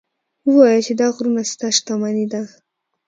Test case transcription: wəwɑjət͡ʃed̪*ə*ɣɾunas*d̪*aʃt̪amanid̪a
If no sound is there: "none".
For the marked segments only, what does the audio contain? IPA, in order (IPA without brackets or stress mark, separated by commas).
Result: ɑ, t̪